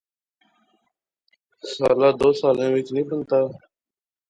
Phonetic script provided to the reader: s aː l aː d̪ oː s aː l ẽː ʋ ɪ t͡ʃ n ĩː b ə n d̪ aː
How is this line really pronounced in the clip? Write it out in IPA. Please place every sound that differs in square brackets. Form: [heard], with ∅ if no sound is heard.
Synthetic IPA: s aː l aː d̪ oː s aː l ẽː ʋ ɪ t͡ʃ n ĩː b ə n [t̪] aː